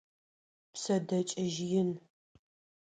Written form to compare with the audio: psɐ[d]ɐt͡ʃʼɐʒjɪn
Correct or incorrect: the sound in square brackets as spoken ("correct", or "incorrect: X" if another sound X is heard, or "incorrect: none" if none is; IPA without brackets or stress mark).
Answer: correct